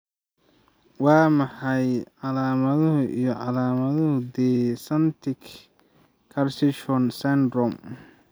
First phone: w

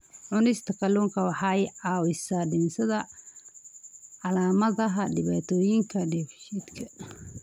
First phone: ʕ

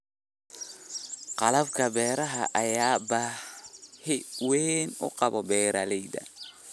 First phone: q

